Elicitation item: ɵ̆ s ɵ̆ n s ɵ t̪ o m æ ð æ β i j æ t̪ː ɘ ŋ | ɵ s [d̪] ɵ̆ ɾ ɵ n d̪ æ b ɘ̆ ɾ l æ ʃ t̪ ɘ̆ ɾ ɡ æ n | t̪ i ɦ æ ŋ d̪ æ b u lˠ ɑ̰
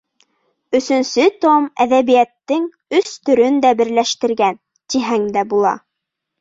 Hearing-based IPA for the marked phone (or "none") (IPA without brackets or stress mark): t̪